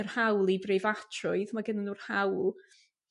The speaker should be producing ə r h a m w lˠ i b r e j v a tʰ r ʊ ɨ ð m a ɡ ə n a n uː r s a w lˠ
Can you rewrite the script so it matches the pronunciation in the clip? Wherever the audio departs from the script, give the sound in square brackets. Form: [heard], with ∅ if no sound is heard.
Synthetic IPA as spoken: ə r h a [∅] w lˠ i b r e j v a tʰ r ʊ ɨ ð m a ɡ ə n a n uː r [h] a w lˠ